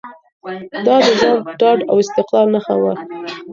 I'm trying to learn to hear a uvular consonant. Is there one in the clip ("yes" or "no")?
yes